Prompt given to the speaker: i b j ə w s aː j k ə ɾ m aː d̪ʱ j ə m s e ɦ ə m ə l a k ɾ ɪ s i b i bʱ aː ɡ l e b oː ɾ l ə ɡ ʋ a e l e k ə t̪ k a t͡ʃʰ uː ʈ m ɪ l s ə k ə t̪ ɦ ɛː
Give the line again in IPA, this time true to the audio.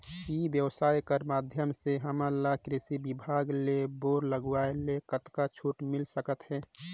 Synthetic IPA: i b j ə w s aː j k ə ɾ m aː d̪ʱ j ə m s e ɦ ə m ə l a k ɾ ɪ s i b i bʱ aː ɡ l e b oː ɾ l ə ɡ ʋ a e l e k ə t̪ k a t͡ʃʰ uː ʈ m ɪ l s ə k ə t̪ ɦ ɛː

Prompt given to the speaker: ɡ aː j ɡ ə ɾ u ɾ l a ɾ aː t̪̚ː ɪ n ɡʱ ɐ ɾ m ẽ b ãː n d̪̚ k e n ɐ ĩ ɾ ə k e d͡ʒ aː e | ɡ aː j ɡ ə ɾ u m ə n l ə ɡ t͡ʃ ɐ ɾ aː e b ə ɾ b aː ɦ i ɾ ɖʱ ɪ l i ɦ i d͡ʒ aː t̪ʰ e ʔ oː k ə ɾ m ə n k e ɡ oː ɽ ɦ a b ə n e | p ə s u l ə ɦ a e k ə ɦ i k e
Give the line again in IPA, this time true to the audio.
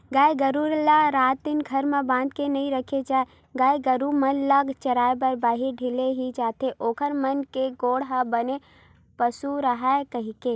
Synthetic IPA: ɡ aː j ɡ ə ɾ u ɾ l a ɾ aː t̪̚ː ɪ n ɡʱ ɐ ɾ m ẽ b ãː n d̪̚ k e n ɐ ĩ ɾ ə kʰ e d͡ʒ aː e | ɡ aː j ɡ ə ɾ u m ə n l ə ɡ t͡ʃ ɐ ɾ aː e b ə ɾ b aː ɦ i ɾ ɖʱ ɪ l e ɦ i d͡ʒ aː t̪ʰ e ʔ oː k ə ɾ m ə n k e ɡ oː ɽ ɦ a b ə n e | p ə s u ɾ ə ɦ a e k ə ɦ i k e

